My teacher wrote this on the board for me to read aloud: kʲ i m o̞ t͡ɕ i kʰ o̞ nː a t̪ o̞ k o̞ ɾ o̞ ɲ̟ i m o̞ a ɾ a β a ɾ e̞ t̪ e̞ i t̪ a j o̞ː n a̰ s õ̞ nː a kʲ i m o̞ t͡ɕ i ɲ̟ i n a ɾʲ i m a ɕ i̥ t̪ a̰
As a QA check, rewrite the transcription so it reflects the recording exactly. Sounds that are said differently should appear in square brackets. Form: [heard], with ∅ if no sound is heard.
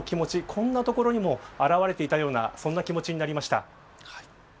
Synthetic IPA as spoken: kʲ i m o̞ t͡ɕ i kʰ [õ̞] nː a t̪ o̞ k o̞ ɾ o̞ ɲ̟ i m o̞ a ɾ a β a ɾ e̞ t̪ e̞ i t̪ a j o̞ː n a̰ s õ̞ nː a kʲ i m o̞ t͡ɕ i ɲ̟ i n a ɾʲ i m a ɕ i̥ t̪ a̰